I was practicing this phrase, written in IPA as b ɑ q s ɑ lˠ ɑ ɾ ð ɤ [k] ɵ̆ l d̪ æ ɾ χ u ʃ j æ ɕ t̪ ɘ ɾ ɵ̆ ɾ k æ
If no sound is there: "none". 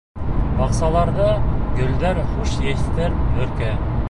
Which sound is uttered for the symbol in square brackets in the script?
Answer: ɡ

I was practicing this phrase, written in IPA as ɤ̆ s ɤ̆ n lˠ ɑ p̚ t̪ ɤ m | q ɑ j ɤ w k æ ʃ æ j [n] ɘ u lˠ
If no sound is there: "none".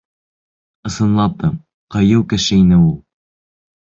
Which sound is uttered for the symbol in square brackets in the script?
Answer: n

